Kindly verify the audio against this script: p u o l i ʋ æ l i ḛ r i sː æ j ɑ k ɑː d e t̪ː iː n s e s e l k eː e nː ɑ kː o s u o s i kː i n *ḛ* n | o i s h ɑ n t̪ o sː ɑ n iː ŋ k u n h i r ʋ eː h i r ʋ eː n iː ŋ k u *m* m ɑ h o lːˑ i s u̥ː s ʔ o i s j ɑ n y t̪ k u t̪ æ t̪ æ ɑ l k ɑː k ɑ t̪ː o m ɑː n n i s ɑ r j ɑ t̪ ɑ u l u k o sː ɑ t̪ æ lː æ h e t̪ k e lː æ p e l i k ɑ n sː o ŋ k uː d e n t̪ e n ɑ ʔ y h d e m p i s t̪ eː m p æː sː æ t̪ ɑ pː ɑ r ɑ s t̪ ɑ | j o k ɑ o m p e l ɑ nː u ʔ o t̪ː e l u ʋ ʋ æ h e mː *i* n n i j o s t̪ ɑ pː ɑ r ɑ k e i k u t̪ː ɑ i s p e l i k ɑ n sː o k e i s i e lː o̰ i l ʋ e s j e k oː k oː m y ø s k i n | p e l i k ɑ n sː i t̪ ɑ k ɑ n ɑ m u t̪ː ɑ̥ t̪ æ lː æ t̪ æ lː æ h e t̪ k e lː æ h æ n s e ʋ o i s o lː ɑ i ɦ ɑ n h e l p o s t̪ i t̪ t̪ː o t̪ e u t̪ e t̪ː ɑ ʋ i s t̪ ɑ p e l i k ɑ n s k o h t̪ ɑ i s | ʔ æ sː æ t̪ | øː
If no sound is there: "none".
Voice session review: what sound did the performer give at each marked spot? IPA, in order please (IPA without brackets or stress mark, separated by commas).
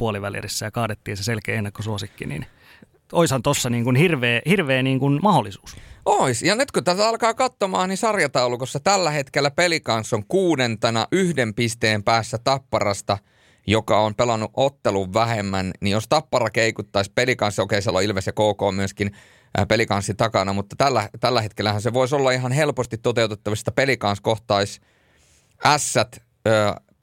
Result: ḭ, n, æ